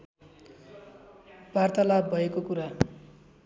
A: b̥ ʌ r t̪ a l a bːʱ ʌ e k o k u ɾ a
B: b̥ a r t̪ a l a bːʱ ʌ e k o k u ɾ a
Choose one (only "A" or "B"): B